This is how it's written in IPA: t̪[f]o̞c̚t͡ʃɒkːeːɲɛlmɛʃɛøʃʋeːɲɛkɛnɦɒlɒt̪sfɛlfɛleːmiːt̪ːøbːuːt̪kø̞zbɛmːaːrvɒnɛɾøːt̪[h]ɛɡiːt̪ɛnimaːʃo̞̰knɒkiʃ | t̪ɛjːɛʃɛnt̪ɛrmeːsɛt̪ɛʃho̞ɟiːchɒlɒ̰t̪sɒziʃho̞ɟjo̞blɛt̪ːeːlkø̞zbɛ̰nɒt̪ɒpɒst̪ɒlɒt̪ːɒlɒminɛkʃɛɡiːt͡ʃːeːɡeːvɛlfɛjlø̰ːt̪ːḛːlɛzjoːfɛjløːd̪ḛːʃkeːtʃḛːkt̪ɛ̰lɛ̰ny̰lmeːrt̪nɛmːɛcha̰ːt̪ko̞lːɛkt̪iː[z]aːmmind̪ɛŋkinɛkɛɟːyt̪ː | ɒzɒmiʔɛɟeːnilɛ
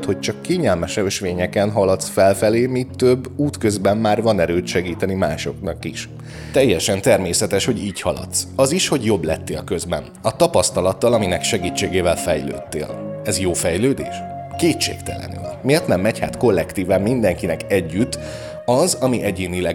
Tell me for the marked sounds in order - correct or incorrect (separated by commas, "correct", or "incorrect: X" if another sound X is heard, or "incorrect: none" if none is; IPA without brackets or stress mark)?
incorrect: h, incorrect: ʃ, incorrect: v